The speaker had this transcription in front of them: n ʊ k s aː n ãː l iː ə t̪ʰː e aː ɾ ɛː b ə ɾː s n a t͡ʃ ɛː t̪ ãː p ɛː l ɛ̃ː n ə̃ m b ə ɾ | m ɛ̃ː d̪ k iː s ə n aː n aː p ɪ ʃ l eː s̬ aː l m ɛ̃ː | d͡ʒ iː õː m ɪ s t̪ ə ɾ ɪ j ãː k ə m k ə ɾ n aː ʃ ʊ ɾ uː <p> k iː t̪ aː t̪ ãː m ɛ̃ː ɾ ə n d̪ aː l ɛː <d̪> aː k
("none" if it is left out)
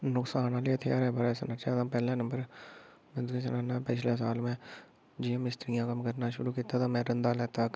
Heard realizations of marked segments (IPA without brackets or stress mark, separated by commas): none, t̪